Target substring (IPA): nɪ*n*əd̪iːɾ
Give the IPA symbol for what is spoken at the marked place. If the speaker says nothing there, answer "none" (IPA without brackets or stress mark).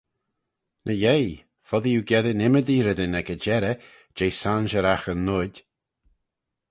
m